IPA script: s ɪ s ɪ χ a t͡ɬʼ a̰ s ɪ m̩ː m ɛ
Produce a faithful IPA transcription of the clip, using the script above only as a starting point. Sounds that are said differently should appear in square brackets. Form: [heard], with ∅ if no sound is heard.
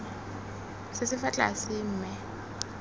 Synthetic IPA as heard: s ɪ s ɪ [f] a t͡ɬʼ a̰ s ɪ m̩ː m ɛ